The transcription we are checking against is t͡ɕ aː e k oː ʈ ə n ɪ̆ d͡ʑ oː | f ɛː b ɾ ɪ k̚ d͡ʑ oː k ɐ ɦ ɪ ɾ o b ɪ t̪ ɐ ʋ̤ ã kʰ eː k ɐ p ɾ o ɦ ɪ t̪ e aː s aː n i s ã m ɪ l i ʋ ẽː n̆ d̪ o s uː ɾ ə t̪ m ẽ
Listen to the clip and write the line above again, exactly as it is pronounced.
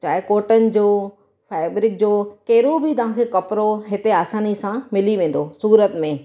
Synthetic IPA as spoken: t͡ɕ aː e k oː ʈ ə n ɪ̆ d͡ʑ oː | f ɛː b ɾ ɪ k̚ d͡ʑ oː k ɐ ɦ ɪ ɾ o b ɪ t̪ ɐ ʋ̤ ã kʰ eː k ɐ p ɾ o ɦ ɪ t̪ e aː s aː n i s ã m ɪ l i ʋ ẽː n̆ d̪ o s uː ɾ ə t̪ m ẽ